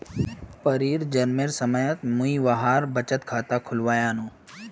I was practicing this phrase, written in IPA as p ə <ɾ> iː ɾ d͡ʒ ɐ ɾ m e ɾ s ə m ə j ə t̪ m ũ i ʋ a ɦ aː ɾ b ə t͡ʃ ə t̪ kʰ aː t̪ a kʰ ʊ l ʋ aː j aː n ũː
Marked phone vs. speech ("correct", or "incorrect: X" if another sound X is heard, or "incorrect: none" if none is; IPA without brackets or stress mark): correct